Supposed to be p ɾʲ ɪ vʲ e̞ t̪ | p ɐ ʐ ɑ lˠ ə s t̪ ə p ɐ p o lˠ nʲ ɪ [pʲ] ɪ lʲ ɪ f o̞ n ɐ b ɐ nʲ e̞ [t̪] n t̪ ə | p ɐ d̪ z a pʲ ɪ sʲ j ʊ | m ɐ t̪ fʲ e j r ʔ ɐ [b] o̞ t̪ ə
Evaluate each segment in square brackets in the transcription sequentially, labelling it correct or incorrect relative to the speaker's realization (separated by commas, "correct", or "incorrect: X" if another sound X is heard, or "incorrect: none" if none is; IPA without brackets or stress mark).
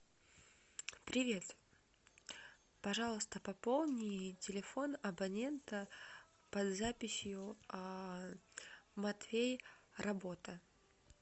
incorrect: tʲ, incorrect: none, correct